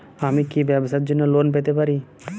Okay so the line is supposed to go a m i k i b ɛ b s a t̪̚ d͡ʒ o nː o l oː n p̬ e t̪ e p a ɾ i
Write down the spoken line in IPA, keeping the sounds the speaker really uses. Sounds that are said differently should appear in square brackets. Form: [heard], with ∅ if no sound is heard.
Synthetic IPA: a m i k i b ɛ b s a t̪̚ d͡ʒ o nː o l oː n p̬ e t̪ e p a ɾ i